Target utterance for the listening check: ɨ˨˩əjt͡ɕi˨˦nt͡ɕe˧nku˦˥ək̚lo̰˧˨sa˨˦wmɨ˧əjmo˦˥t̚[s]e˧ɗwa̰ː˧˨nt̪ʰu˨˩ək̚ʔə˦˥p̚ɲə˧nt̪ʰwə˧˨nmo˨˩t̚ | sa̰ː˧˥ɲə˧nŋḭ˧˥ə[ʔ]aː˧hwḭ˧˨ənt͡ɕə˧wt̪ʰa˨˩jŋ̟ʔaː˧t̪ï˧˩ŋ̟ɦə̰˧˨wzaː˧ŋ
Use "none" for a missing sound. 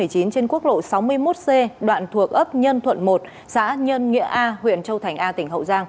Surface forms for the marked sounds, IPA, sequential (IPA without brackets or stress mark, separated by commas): s, ʔ